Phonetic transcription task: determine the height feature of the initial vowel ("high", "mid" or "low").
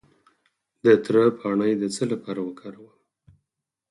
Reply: mid